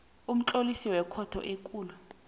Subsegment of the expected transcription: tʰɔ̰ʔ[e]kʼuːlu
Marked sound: correct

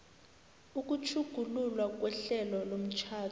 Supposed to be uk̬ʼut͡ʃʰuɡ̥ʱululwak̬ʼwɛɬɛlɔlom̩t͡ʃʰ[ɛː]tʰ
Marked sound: incorrect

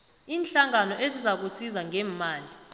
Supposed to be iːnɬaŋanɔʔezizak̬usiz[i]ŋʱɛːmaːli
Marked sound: incorrect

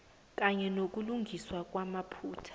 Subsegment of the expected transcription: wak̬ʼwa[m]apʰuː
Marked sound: correct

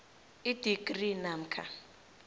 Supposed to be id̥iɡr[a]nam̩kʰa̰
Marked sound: incorrect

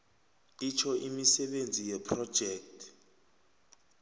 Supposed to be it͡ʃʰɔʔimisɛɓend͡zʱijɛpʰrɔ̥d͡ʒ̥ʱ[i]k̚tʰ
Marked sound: incorrect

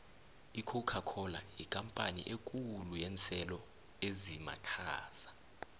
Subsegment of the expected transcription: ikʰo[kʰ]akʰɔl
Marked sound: correct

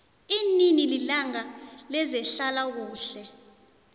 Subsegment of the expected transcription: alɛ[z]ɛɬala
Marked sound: correct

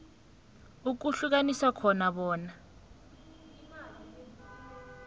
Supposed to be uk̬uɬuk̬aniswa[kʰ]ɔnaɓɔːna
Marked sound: correct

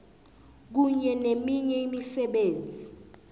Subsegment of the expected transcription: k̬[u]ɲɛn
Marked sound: correct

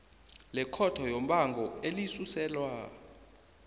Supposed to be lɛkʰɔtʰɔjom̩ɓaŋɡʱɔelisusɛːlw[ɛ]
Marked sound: incorrect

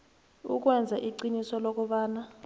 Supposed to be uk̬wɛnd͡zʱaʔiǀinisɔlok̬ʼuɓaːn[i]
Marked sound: incorrect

